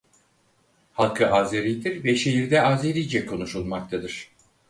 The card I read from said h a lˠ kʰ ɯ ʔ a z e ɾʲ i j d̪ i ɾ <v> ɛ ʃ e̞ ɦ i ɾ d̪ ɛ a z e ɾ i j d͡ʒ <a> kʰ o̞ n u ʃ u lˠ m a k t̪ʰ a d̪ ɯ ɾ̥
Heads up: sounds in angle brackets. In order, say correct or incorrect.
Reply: correct, incorrect

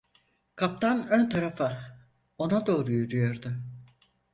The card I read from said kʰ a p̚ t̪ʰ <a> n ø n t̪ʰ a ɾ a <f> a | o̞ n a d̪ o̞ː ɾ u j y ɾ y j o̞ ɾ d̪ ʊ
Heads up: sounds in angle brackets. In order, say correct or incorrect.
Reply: correct, correct

